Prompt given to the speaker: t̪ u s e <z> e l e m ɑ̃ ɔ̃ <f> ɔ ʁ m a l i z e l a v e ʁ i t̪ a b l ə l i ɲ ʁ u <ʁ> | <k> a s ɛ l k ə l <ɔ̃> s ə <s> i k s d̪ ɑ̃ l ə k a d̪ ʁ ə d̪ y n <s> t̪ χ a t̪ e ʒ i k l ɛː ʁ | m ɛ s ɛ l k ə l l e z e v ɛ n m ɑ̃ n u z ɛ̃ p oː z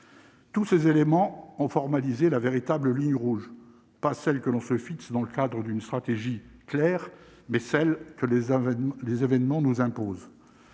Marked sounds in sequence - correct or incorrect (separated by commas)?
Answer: correct, correct, incorrect, incorrect, correct, incorrect, correct